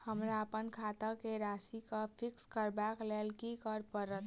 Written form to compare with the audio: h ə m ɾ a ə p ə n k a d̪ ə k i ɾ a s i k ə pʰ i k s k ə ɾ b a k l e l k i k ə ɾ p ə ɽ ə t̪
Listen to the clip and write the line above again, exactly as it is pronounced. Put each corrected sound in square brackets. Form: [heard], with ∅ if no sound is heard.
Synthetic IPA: h ə m ɾ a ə p ə n [kʰ] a [t̪] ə k [e] ɾ a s i k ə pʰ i k s k ə ɾ b a k l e l k i k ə ɾ p ə [ɾ] ə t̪